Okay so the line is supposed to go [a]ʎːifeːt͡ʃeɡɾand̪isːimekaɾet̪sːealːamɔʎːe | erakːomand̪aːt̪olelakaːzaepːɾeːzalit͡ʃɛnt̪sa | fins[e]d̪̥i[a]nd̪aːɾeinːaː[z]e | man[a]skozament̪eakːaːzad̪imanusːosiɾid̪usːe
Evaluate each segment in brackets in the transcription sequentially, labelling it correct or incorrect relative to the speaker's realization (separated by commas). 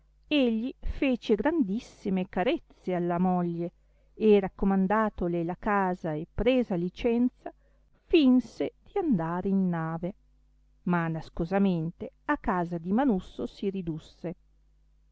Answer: incorrect, correct, correct, incorrect, correct